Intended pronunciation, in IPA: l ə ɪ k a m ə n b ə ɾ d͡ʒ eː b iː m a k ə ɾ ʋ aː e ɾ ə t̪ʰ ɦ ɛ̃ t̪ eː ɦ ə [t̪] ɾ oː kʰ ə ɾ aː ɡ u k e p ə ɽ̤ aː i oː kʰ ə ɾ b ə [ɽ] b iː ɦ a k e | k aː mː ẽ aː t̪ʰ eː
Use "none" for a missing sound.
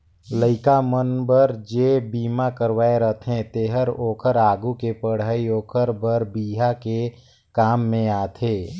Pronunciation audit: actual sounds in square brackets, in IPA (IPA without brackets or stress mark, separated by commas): none, ɾ